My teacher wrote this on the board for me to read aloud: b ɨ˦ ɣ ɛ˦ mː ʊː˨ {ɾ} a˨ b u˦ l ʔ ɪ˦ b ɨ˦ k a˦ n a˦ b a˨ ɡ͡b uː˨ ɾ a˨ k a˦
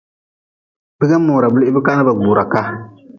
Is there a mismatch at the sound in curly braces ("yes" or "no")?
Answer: no